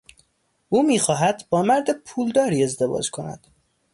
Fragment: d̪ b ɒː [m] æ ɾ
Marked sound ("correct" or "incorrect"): correct